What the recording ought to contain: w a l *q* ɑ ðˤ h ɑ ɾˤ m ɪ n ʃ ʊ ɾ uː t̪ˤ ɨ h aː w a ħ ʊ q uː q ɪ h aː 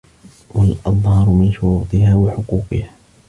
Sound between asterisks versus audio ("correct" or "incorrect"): incorrect